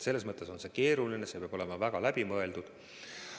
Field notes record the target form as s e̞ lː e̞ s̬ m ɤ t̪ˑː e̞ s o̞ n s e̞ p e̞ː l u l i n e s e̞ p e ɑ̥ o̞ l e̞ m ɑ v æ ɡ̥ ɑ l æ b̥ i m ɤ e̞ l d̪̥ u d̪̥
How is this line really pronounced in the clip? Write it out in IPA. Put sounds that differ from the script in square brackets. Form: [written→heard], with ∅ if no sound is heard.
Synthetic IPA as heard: s e̞ lː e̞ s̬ m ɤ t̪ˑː e̞ s o̞ n s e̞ [p→k] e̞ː [l→ɾ] u l i n e s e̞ p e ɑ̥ o̞ l e̞ m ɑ v æ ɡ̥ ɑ l æ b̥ i m ɤ e̞ l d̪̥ u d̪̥